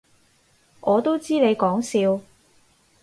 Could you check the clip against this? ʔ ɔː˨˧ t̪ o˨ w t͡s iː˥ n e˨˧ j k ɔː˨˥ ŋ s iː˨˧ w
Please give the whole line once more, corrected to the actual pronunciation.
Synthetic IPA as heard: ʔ ɔː˨˧ t̪ o˥ w t͡s iː˥ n e˨˧ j k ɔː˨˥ ŋ s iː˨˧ w